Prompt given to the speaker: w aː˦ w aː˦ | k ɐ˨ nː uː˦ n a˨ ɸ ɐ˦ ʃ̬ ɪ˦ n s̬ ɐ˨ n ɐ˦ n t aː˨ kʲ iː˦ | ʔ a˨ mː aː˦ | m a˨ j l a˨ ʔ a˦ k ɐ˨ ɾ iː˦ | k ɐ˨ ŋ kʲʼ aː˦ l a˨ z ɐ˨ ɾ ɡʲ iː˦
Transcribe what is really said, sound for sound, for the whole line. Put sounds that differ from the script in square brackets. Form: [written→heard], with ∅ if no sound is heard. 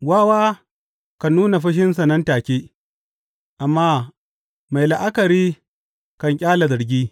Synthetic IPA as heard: w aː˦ w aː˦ | k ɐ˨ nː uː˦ n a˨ ɸ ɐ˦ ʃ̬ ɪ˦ n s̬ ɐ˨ n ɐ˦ n t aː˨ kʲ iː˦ | ʔ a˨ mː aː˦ | m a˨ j l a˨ ʔ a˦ k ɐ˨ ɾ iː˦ | k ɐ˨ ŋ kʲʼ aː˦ l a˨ z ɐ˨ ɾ ɡʲ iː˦